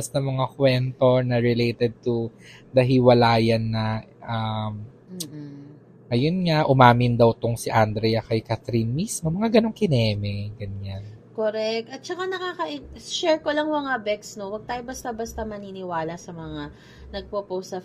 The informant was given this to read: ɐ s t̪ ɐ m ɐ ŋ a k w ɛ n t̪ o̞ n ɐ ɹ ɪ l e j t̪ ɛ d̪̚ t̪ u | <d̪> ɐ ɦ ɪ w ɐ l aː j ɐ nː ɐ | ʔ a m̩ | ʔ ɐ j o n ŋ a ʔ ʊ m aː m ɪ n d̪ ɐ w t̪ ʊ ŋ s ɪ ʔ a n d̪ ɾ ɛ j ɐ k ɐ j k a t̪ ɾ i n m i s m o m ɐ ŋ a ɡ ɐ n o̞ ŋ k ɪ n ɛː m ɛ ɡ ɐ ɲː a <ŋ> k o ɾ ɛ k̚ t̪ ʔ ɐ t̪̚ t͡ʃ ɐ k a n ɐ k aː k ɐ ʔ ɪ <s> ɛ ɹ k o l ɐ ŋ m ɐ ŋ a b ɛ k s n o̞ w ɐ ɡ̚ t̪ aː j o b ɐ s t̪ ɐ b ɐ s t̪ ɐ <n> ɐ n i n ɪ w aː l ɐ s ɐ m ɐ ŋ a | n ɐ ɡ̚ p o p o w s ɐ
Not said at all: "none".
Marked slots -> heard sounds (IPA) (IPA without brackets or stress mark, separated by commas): d̪, n, ʃ, m